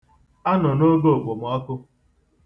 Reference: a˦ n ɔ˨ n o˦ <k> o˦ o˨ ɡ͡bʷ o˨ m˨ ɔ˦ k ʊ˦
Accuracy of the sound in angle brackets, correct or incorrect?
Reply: incorrect